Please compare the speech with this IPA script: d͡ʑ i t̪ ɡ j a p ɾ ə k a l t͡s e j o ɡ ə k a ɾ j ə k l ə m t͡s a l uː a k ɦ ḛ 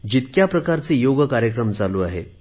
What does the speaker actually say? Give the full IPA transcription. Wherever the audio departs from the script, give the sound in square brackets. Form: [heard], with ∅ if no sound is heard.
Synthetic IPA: d͡ʑ i t̪ [k] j a p ɾ ə k a [ɾ] t͡s e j o ɡ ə k a ɾ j ə k [ɾ] ə m t͡s a l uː a [∅] ɦ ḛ